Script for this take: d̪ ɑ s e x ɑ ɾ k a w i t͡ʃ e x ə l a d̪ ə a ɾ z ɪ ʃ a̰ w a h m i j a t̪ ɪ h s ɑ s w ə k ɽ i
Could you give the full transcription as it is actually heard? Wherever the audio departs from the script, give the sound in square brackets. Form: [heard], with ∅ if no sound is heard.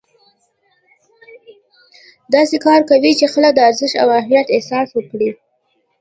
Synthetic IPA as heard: d̪ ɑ s e [k] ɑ ɾ k a w i t͡ʃ e x ə l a d̪ ə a ɾ z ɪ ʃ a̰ w a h m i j a t̪ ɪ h s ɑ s w ə k ɽ i